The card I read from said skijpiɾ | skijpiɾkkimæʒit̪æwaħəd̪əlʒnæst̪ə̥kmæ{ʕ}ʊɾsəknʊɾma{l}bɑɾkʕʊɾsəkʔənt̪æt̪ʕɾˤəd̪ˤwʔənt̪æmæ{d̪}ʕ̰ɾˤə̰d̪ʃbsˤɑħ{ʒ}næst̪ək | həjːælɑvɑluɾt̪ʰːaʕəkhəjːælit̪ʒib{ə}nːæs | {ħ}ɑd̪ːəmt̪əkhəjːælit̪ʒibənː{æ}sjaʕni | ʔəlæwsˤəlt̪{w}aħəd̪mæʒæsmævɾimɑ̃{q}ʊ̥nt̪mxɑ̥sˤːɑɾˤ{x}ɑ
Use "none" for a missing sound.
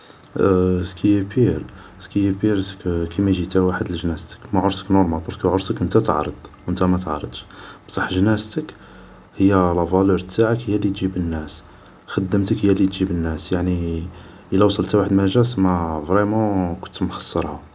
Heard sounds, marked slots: ʕ, l, t̪, ʒ, ə, x, æ, w, k, h

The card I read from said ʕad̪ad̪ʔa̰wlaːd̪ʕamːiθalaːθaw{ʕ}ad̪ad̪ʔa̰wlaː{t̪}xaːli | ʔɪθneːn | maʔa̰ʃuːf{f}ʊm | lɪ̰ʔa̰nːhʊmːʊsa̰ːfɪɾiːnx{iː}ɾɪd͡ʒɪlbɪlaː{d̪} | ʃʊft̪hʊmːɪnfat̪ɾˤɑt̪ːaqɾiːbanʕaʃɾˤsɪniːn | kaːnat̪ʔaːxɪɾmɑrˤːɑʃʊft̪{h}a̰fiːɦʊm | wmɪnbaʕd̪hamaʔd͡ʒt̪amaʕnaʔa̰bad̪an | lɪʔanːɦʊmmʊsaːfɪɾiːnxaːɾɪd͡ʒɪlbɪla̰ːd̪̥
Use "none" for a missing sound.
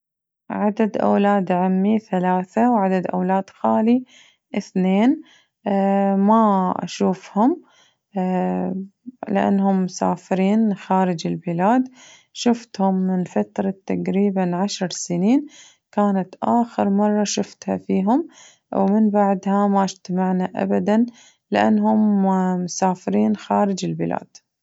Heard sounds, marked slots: ʕ, d̪, h, aː, d̪, h

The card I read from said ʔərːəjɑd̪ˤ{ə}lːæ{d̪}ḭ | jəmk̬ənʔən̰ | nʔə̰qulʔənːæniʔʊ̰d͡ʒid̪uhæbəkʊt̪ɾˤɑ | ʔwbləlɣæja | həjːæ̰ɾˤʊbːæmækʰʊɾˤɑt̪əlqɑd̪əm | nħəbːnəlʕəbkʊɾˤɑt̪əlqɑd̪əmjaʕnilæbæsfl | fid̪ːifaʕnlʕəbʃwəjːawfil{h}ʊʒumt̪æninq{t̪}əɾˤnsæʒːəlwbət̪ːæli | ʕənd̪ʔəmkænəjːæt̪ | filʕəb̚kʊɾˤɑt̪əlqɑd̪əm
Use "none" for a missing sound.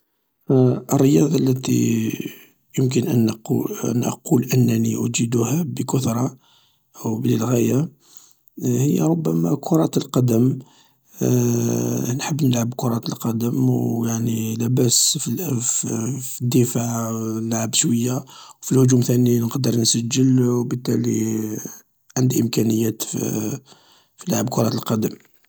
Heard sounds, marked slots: ɑ, t̪, h, d̪

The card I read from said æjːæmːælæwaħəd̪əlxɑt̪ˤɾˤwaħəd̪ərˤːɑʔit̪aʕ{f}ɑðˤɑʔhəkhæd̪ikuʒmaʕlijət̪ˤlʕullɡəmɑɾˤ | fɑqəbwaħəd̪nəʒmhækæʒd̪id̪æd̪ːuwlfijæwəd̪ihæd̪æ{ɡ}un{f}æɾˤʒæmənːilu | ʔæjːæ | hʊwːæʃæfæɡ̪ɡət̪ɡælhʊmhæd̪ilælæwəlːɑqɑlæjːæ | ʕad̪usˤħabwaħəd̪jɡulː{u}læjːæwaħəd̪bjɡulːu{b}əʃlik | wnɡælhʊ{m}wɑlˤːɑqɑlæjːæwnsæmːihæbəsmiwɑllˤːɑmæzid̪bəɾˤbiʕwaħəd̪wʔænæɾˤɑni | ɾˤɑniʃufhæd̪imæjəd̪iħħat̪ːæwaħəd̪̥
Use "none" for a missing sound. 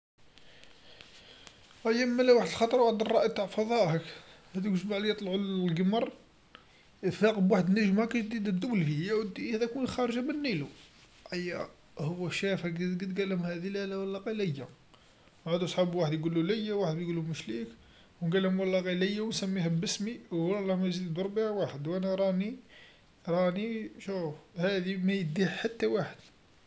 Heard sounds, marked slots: f, k, x, u, m, m

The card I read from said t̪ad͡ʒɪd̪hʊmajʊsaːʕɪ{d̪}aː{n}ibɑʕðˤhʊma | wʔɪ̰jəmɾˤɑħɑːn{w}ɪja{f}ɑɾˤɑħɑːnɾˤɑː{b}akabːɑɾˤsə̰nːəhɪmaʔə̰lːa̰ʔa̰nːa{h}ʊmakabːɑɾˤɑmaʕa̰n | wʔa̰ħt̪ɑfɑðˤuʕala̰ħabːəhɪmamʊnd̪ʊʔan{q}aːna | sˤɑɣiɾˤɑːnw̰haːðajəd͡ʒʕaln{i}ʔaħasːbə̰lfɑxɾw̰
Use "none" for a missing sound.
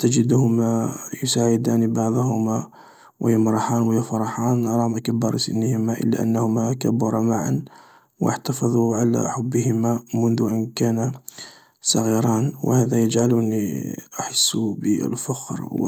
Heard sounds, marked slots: d̪, n, w, f, m, h, k, i

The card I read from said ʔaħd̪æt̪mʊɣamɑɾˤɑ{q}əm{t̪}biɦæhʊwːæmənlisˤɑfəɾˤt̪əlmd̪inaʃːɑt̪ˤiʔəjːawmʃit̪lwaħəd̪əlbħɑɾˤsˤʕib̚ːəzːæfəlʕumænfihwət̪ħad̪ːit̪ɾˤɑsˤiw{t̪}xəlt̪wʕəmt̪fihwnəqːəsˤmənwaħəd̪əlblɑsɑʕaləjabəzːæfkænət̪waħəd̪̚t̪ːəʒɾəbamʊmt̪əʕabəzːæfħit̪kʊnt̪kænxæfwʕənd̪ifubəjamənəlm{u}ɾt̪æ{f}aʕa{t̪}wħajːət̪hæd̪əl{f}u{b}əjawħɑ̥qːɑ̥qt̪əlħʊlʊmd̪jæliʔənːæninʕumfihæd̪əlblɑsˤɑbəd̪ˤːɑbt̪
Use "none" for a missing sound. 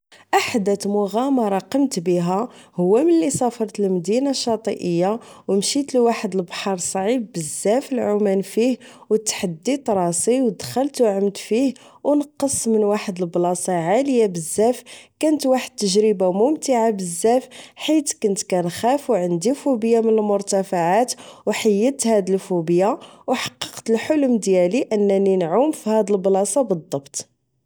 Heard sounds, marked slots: q, t̪, d̪, ʊ, f, t̪, f, b

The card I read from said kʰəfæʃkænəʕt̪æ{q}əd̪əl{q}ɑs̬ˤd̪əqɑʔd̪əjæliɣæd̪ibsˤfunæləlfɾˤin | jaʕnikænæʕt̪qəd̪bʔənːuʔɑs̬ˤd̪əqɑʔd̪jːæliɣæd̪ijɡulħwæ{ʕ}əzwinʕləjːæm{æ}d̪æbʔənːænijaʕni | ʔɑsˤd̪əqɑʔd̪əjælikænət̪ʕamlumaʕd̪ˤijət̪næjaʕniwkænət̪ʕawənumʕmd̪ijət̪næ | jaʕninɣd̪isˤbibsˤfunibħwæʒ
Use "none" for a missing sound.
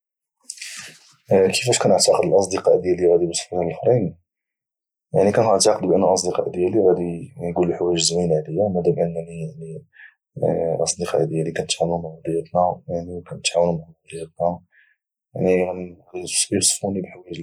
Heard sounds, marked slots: q, ʔ, ʒ, æ

